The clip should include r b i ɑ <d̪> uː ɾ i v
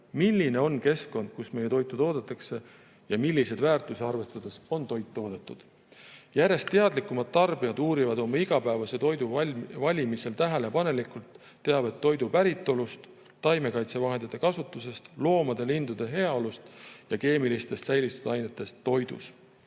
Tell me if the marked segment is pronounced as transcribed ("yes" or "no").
yes